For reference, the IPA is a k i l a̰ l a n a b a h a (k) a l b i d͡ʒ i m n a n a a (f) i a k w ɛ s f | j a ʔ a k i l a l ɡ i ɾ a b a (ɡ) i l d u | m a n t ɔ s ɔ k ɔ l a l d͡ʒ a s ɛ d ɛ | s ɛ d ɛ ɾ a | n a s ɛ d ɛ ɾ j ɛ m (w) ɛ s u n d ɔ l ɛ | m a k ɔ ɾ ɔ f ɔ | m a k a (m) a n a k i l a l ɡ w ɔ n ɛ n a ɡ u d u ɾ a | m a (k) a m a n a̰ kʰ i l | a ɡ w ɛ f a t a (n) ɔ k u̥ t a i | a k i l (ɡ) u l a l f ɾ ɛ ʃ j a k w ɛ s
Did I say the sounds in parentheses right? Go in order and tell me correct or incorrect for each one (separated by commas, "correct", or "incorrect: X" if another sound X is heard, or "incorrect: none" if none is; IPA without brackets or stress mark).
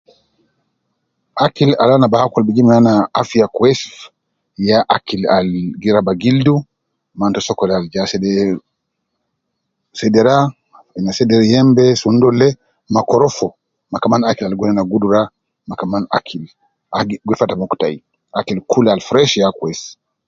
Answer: correct, correct, correct, incorrect: b, correct, correct, incorrect: m, incorrect: k